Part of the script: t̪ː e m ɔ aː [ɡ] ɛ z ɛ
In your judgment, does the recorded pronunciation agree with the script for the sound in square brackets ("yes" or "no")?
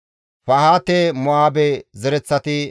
no